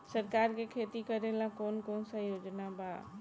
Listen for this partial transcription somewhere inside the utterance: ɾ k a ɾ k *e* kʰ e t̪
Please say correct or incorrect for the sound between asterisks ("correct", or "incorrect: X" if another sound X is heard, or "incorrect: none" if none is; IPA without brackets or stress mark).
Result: correct